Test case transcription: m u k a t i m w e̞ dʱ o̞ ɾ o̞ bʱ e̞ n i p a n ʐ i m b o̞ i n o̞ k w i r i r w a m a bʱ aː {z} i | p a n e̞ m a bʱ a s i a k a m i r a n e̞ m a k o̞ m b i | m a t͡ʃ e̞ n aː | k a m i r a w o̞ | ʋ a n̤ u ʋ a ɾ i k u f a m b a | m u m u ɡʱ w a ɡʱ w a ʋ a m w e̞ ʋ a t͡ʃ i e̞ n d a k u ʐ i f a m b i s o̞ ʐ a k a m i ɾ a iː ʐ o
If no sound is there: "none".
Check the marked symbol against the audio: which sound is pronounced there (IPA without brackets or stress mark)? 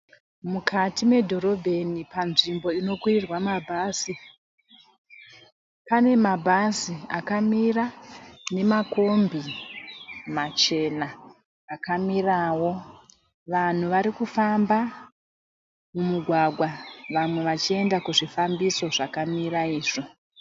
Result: s